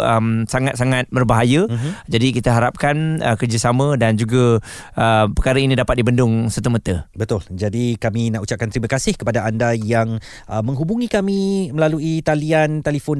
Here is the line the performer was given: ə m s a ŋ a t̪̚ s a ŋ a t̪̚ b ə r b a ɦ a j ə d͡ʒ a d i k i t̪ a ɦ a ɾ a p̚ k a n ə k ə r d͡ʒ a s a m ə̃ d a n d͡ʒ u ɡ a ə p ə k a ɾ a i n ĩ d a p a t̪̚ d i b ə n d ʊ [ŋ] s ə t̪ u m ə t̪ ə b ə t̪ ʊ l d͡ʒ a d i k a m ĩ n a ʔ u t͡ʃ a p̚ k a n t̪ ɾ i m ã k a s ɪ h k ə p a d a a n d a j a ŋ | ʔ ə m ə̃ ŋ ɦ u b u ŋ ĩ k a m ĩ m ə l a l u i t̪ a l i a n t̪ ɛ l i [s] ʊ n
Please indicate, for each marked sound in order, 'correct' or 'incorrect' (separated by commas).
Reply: correct, incorrect